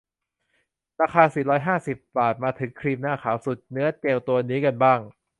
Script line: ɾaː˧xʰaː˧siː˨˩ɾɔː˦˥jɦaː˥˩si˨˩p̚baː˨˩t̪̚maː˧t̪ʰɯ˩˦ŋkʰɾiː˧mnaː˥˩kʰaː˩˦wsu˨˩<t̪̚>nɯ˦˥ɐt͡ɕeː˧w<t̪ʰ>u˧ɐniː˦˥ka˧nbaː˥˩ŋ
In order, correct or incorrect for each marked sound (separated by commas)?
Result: correct, incorrect